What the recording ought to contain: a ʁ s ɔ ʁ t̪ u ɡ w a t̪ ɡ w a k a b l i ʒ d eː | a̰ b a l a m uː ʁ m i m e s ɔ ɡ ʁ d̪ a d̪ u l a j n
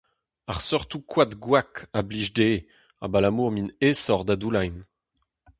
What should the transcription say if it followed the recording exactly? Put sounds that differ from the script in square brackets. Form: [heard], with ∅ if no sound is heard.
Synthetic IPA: a ʁ s ɔ ʁ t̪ u [k] w a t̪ ɡ w a k a b l i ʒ d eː | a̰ b a l a m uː ʁ m i [n] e s ɔ [∅] ʁ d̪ a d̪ u l a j n